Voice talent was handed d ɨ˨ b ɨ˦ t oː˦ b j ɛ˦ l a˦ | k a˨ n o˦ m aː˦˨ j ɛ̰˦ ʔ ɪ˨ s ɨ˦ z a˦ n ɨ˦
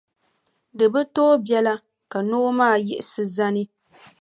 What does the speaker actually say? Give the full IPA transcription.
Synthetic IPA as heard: d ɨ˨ b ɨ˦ t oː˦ b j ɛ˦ l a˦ | k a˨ n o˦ m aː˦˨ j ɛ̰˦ ʔ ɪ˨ s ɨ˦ z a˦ n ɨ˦

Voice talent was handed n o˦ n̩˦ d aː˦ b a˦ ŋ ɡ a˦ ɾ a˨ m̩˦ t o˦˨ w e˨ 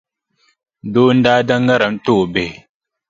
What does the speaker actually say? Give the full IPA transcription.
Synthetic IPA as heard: d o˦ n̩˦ d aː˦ d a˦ ŋ ɡ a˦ ɾ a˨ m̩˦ t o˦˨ b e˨

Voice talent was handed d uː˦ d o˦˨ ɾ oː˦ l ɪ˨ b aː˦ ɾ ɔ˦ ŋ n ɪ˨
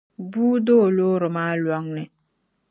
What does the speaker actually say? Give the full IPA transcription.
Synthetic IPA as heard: b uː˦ d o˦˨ l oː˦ ɾ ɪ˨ m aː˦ l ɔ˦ ŋ n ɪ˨

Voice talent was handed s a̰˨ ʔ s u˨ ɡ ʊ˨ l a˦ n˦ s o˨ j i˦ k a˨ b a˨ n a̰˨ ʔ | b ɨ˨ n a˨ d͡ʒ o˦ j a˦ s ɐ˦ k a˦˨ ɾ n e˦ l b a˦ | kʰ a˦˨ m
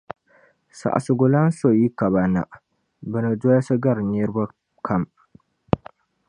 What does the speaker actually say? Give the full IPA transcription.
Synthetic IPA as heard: s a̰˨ ʔ s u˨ ɡ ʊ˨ l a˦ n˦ s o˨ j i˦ k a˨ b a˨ n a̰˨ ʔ | b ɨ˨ n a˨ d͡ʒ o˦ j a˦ s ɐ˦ ɡ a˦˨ ɾ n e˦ ɾ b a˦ | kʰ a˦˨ m

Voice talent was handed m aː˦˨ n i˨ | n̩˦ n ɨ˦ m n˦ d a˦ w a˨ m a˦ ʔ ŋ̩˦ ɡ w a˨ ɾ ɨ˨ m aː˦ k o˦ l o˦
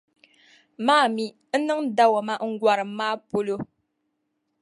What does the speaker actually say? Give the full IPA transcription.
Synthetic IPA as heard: m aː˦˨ m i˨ | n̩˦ n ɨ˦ ŋ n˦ d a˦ w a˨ m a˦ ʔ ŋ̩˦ ɡ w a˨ ɾ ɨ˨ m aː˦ p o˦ l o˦

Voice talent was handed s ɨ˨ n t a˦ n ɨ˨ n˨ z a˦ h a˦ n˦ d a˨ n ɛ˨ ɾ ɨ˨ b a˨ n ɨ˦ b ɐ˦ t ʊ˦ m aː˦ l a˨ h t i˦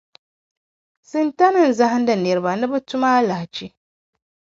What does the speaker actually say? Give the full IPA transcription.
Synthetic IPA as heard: s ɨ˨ n t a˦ n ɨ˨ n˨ z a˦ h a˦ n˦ d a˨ n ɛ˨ ɾ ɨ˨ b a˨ n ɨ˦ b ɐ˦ t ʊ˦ m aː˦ l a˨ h t͡ʃ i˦

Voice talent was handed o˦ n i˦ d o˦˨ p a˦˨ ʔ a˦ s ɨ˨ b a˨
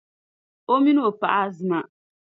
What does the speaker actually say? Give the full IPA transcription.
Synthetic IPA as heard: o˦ m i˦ n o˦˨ p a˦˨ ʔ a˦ z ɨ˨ m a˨

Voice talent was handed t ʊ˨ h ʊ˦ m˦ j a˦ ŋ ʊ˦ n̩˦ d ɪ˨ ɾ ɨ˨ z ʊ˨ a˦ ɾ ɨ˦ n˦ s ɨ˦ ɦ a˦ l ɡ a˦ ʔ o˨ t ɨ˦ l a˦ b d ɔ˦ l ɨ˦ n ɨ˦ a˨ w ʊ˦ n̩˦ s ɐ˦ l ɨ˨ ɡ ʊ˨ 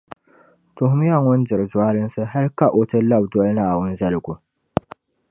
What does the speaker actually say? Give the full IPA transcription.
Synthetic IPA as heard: t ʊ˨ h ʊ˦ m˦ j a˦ ŋ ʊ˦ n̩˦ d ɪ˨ ɾ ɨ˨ z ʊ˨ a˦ l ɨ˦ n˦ s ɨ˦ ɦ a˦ l k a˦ ʔ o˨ t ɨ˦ l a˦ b d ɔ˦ l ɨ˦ n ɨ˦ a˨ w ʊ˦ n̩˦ z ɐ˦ l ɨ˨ ɡ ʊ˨

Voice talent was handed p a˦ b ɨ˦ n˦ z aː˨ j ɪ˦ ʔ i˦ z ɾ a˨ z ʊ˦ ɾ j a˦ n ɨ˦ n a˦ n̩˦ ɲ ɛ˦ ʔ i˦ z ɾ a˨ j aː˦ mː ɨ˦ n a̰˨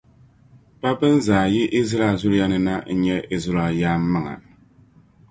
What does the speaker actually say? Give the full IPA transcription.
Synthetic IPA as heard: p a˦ b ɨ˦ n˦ z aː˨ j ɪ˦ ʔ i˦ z ɾ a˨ z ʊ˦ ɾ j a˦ n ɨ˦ n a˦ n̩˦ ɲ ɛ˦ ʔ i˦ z ɾ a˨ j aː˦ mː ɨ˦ ŋ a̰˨

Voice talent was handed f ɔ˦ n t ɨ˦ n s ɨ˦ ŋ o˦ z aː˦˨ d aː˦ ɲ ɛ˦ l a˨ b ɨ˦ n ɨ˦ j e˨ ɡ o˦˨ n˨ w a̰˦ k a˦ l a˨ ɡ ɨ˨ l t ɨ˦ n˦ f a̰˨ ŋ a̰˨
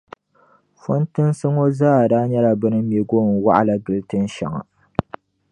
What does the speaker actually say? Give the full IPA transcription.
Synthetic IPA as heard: f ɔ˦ n t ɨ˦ n s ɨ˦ ŋ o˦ z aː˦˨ d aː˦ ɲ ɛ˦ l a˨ b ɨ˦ n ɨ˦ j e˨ ɡ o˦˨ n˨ w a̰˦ ʔ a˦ l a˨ ɡ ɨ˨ l t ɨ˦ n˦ ʃ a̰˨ ŋ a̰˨

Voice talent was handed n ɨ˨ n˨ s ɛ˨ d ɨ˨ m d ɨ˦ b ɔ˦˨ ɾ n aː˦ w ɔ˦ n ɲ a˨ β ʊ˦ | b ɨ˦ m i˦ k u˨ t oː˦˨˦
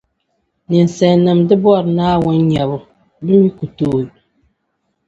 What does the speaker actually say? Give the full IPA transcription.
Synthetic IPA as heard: n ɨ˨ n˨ s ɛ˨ n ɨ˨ m d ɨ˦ b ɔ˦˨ ɾ n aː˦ w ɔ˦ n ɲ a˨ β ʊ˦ | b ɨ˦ m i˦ k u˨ t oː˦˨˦

